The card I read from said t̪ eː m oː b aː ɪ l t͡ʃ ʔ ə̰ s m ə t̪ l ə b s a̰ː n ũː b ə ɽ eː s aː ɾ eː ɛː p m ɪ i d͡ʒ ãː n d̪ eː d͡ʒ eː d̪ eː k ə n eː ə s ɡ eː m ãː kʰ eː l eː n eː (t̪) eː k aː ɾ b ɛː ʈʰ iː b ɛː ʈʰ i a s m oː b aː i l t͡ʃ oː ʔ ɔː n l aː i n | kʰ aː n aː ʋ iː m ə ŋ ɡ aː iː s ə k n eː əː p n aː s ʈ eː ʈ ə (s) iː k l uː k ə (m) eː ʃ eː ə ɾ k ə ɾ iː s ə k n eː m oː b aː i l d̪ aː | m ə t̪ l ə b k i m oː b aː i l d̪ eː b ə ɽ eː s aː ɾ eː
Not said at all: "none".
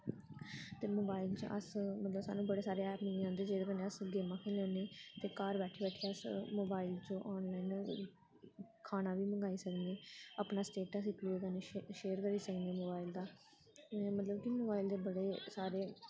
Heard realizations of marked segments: t̪, s, n

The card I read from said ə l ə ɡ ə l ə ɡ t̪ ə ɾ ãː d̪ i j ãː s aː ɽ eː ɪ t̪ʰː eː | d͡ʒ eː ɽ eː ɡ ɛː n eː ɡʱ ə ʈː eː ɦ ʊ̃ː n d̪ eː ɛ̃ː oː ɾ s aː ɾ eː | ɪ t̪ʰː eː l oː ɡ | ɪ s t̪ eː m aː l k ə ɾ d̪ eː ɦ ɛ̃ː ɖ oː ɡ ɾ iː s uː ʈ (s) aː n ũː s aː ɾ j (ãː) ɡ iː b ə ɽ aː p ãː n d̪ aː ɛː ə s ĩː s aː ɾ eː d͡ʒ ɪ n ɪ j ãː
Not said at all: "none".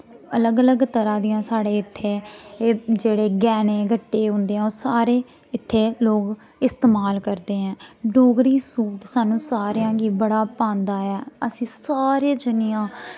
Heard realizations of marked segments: s, ãː

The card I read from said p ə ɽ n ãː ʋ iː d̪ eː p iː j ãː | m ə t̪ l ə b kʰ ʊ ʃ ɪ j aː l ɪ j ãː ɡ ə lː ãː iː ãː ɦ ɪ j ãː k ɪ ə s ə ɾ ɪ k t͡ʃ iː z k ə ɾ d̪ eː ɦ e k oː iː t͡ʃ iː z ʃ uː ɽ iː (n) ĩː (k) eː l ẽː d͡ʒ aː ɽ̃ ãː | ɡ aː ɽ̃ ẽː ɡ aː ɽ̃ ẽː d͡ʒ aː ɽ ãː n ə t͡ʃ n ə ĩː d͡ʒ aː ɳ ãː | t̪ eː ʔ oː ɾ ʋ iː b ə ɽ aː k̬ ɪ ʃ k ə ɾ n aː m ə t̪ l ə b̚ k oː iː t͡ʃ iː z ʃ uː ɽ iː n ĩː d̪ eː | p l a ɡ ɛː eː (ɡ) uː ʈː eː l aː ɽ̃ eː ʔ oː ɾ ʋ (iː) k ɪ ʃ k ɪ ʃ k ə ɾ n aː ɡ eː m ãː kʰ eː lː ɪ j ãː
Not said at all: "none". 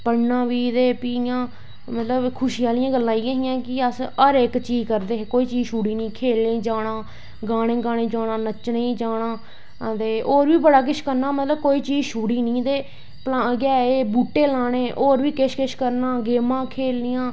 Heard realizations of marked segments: n, kʰ, b, iː

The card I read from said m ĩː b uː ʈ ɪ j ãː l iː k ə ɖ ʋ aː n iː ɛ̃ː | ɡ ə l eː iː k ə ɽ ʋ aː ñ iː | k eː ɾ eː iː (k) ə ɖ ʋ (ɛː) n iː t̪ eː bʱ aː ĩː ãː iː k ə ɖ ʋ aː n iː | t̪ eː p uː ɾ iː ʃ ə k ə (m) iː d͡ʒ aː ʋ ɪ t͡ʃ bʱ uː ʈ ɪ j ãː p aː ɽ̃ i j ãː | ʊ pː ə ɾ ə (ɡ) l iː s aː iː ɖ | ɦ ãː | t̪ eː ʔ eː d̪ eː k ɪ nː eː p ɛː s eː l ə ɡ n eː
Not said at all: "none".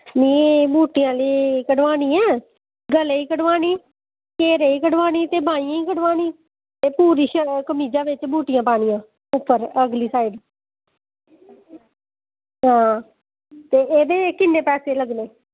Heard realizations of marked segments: k, aː, m, ɡ

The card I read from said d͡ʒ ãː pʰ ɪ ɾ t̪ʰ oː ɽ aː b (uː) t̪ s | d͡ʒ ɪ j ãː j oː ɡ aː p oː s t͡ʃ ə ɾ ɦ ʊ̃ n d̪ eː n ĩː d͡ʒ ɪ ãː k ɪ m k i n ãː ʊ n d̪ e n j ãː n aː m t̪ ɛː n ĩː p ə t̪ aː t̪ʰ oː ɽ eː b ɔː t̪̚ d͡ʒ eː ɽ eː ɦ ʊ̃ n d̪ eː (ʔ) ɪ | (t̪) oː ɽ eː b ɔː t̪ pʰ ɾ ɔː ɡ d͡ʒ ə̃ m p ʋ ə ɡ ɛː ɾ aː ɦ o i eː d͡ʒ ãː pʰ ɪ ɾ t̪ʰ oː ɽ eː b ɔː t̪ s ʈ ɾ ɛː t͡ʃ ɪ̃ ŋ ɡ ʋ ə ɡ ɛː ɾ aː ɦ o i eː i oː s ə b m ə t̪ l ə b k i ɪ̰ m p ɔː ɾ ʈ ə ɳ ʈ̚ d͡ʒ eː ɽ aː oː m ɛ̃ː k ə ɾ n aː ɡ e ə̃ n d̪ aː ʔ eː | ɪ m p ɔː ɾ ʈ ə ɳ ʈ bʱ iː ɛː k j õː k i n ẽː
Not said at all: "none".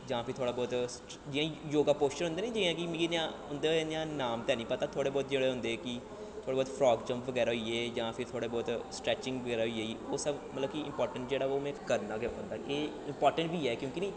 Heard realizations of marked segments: ɔː, k, t̪ʰ

